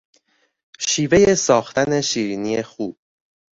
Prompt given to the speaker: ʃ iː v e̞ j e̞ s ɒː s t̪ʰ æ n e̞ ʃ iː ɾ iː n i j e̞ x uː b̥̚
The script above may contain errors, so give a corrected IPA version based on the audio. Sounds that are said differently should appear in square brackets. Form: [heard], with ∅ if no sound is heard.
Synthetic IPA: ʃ iː v e̞ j e̞ s ɒː [x] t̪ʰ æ n e̞ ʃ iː ɾ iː n i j e̞ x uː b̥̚